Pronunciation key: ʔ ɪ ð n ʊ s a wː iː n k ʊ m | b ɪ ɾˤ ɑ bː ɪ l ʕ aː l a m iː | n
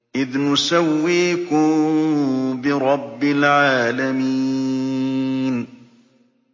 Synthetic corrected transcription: ʔ ɪ ð n ʊ s a wː iː k ʊ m | b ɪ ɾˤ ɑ bː ɪ l ʕ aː l a m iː | n